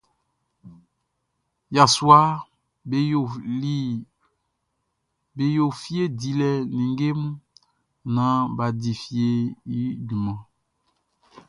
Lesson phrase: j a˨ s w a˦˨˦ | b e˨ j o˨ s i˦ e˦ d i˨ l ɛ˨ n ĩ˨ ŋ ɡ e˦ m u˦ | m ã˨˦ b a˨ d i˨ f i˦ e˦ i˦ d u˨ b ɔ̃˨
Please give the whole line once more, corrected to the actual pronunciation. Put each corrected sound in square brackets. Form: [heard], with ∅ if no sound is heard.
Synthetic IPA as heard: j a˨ s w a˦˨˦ | b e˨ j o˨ [f] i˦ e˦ d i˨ l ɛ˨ n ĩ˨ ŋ ɡ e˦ m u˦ | [n] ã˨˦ b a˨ d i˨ f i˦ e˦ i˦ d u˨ [m] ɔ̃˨